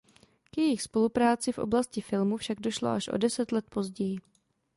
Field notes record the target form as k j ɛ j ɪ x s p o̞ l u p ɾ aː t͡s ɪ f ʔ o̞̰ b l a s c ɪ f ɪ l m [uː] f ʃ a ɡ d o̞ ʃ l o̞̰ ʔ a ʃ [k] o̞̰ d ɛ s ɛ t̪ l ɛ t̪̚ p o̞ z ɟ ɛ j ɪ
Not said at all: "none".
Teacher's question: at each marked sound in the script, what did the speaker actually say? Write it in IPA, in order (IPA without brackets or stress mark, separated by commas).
u, ʔ